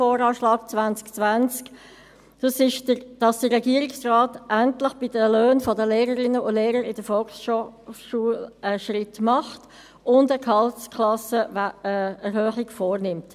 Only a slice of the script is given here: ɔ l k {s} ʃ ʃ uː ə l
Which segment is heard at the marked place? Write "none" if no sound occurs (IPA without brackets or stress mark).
s